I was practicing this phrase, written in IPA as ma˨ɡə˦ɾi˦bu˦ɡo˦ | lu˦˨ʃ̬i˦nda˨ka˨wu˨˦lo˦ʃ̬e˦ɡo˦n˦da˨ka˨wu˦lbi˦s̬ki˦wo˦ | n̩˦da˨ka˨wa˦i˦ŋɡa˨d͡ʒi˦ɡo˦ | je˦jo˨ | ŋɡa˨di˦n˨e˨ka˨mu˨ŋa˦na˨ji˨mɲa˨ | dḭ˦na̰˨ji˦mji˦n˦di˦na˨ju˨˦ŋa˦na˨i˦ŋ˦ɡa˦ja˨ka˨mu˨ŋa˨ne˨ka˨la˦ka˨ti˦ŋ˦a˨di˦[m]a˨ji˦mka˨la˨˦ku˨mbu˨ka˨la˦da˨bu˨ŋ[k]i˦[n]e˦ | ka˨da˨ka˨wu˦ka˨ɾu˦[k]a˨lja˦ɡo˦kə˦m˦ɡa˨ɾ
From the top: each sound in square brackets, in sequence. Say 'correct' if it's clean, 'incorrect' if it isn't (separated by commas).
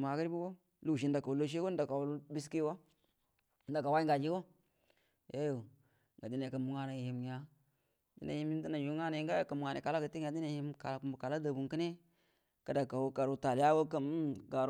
incorrect, correct, correct, incorrect